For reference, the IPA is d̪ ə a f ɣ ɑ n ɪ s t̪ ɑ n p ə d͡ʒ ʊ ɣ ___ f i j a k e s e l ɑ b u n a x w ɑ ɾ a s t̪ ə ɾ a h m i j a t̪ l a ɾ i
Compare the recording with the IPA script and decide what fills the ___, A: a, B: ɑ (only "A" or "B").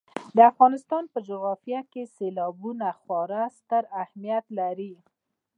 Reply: B